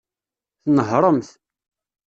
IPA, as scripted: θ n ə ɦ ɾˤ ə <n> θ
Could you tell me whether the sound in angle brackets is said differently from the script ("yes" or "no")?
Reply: yes